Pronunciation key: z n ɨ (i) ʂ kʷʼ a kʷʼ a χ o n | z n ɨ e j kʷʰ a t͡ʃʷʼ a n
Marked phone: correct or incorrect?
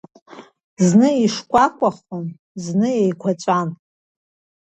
correct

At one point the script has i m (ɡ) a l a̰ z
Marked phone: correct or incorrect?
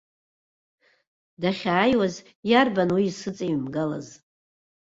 correct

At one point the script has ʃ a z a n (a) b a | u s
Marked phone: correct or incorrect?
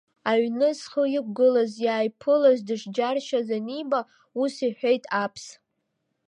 incorrect: i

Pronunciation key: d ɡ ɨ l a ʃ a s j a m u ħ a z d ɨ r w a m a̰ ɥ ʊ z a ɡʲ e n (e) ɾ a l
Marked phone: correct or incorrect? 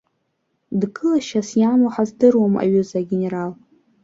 correct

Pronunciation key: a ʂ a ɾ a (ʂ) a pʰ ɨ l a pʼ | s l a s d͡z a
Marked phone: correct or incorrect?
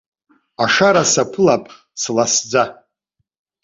incorrect: s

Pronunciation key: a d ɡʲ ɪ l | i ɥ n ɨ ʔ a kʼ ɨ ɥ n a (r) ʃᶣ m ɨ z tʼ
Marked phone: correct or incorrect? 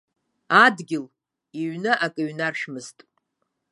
correct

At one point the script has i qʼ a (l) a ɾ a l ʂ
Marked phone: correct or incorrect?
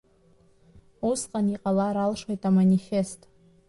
correct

